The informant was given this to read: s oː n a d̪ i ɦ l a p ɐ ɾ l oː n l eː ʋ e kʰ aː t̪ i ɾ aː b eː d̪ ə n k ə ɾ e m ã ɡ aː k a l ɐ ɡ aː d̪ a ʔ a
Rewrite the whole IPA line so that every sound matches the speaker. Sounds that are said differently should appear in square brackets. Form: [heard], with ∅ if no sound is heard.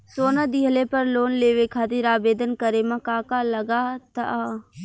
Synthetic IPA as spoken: s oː n a d̪ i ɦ l [e] p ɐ ɾ l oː n l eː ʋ e kʰ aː t̪ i ɾ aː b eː d̪ ə n k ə ɾ e m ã [k] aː k a l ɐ ɡ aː [t̪] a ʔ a

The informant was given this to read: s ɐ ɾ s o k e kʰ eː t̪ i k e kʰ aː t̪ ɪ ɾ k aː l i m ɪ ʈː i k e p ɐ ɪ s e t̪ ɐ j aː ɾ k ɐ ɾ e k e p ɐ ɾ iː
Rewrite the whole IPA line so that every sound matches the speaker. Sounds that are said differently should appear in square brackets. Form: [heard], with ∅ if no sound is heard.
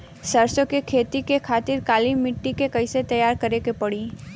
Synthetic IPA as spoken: s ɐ ɾ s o k e kʰ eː t̪ i k e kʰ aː t̪ ɪ ɾ k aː l i m ɪ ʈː i k e [k] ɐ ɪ s e t̪ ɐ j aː ɾ k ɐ ɾ e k e p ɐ [ɽ] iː

